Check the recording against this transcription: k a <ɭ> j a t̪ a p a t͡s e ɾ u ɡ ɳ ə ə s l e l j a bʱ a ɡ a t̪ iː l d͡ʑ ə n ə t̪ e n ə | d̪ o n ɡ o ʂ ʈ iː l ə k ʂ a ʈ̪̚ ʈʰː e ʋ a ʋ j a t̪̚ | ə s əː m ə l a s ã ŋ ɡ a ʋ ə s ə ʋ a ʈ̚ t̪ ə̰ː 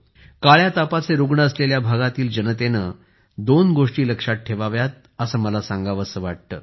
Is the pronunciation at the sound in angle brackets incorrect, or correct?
correct